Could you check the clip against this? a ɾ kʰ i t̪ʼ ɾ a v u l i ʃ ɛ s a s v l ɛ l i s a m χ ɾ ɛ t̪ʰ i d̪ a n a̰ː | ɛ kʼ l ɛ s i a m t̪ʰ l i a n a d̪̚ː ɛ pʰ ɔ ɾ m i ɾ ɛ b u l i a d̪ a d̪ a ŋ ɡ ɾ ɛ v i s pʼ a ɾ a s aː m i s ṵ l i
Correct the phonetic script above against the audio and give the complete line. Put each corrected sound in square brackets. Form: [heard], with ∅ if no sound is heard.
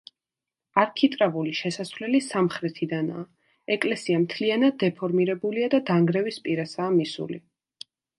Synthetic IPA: a ɾ kʰ i t̪ʼ ɾ a v u l i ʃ ɛ s a s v l ɛ l i s a m χ ɾ ɛ t̪ʰ i d̪ a n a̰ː | ɛ kʼ l ɛ s i a m t̪ʰ l i a n a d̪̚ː ɛ pʰ ɔ ɾ m i ɾ ɛ b u l i a d̪ a d̪ a ŋ ɡ ɾ ɛ v i s pʼ [i] ɾ a s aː m i s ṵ l i